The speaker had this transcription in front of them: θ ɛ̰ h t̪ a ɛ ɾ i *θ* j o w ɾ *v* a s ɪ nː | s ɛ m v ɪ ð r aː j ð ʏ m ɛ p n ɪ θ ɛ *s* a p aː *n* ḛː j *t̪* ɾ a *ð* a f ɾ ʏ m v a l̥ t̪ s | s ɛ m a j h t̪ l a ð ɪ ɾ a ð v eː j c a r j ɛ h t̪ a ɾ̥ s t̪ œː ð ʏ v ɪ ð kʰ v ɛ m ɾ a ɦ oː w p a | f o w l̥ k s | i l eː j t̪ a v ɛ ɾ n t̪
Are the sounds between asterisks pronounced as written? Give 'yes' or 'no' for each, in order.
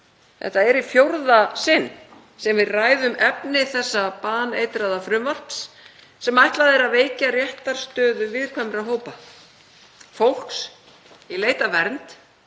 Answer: no, no, no, yes, yes, yes

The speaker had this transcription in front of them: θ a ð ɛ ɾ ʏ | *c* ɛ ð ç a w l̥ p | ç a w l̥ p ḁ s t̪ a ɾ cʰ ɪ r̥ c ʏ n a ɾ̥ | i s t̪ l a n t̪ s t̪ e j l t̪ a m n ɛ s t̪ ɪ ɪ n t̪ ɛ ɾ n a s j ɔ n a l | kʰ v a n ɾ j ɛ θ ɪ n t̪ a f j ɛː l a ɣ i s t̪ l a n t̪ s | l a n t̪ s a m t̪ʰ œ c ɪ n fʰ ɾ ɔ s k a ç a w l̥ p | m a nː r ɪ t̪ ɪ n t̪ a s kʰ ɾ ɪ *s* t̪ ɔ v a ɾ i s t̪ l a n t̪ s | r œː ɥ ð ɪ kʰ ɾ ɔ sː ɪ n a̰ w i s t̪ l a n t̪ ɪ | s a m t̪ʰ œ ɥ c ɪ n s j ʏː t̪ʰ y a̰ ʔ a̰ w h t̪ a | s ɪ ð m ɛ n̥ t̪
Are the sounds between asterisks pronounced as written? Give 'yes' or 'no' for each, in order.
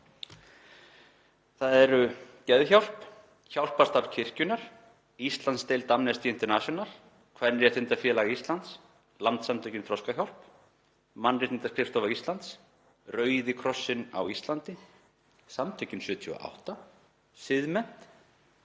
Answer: yes, no

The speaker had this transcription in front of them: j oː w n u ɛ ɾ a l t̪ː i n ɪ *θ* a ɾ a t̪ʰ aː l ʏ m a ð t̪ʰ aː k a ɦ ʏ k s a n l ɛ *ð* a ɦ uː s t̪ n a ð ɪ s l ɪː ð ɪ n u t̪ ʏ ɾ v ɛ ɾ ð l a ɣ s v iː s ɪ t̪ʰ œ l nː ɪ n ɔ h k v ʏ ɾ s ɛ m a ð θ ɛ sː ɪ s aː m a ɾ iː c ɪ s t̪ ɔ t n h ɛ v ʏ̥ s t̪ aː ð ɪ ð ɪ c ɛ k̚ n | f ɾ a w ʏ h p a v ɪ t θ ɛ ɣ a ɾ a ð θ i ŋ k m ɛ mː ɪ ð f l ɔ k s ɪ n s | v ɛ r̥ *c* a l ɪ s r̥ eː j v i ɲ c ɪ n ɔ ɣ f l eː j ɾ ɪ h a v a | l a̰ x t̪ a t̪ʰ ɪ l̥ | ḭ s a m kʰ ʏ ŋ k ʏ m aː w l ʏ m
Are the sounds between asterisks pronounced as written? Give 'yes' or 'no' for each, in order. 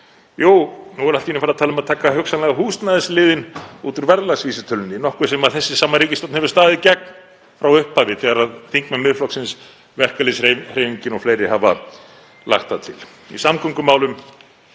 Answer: no, no, no

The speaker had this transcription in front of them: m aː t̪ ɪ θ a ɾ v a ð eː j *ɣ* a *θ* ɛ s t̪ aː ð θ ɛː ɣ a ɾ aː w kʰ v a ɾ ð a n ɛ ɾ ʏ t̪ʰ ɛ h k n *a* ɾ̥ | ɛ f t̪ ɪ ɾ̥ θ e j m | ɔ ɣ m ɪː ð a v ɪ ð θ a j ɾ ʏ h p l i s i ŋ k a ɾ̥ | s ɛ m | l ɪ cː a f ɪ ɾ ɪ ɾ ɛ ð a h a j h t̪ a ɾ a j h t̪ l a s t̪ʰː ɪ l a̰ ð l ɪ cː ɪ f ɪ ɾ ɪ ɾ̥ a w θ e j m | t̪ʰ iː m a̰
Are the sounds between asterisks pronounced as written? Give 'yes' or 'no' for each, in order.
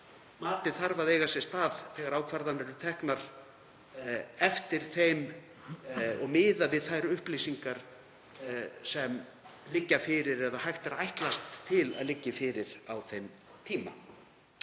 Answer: yes, no, yes

